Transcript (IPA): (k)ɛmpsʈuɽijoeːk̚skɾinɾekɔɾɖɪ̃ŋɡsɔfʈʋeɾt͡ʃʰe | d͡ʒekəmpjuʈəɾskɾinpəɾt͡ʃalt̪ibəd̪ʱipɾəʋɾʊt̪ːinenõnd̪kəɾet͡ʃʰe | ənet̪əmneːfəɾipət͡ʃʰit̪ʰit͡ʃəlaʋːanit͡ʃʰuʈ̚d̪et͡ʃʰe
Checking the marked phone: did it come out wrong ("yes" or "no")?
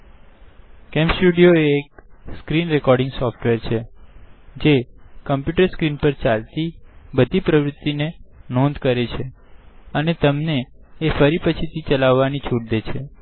no